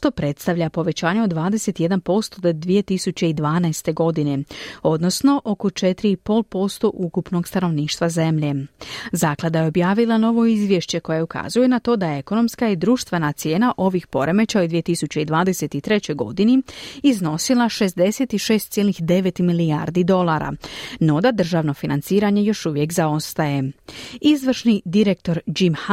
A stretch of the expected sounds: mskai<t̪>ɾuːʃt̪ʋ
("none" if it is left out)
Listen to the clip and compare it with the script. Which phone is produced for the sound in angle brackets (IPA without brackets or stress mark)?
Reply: d̪